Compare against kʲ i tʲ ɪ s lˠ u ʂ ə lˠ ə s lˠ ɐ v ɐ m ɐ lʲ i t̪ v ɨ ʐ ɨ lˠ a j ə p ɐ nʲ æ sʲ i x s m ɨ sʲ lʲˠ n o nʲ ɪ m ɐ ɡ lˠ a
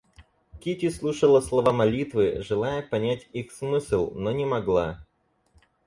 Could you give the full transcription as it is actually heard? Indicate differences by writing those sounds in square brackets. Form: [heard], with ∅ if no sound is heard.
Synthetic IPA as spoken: kʲ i tʲ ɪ s lˠ u ʂ ə lˠ ə s lˠ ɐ v [a] m ɐ lʲ i t̪ v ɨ ʐ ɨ lˠ a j ə p ɐ nʲ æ [tʲ] i x s m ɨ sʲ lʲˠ n o nʲ ɪ m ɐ ɡ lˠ a